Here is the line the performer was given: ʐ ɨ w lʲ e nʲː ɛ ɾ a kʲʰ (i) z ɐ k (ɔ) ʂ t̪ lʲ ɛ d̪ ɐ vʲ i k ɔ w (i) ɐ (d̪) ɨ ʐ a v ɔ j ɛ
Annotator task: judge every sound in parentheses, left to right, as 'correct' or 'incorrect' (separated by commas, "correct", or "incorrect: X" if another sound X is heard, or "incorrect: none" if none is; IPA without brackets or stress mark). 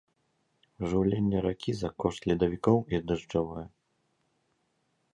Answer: correct, correct, correct, correct